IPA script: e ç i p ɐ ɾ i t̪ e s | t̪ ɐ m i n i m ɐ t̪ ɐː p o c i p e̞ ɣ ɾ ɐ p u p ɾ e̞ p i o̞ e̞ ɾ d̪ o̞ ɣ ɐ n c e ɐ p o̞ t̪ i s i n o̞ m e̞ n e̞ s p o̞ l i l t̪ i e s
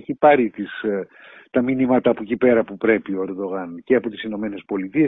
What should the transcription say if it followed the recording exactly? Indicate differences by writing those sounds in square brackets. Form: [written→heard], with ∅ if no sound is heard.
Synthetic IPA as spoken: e ç i p ɐ ɾ i t̪ [e→i] s | t̪ ɐ m i n i m ɐ t̪ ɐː p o c i p e̞ [ɣ→∅] ɾ ɐ p u p ɾ e̞ p i o̞ e̞ ɾ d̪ o̞ ɣ ɐ n c e ɐ p o̞ t̪ i s i n o̞ m e̞ n e̞ s p o̞ l i [l→∅] t̪ i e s